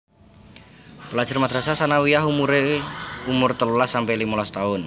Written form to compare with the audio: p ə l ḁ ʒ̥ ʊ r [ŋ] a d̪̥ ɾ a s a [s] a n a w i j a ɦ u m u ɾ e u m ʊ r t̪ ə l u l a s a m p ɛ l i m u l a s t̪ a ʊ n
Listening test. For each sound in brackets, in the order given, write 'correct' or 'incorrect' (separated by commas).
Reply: incorrect, correct